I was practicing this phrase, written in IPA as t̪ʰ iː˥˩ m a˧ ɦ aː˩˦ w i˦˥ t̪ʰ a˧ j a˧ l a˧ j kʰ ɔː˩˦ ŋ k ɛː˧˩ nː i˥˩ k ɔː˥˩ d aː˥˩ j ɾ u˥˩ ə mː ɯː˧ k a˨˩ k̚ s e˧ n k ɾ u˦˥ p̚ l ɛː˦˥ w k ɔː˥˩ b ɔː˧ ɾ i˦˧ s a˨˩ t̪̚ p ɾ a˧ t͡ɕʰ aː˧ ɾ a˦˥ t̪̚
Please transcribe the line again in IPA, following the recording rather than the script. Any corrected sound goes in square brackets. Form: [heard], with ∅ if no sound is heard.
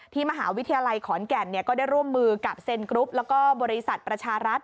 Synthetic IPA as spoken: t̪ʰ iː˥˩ m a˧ ɦ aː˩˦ w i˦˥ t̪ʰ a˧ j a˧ l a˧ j kʰ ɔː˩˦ [n] k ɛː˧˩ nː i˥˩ k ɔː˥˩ d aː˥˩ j ɾ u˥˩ ə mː ɯː˧ k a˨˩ [p̚] s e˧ n k ɾ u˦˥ p̚ l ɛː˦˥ w k ɔː˥˩ b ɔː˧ ɾ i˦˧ s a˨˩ t̪̚ p ɾ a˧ t͡ɕʰ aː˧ ɾ a˦˥ t̪̚